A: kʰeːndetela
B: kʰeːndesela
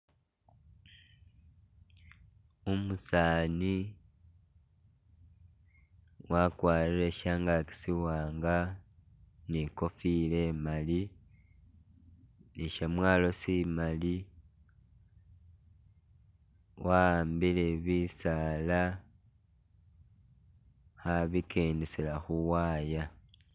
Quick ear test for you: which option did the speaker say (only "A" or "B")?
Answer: B